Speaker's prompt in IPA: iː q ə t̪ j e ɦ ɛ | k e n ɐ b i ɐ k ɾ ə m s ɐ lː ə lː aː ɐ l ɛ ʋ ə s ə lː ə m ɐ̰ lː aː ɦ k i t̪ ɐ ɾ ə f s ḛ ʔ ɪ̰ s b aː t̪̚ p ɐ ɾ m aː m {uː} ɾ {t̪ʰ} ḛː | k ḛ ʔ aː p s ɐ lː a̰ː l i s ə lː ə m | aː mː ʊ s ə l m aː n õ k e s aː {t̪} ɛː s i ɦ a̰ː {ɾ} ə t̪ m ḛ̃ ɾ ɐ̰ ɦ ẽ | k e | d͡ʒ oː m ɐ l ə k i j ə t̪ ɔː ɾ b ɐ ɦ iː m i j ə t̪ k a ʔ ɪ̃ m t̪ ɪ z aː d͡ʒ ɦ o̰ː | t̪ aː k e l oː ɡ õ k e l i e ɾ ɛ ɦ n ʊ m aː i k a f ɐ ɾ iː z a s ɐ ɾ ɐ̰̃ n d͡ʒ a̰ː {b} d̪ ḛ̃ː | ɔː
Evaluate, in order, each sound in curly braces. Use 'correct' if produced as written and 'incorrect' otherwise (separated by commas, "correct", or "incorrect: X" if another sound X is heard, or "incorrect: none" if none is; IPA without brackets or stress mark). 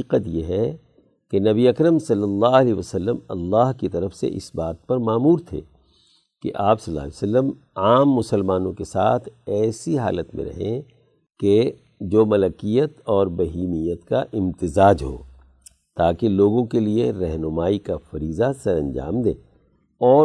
correct, correct, incorrect: t̪ʰ, incorrect: l, incorrect: m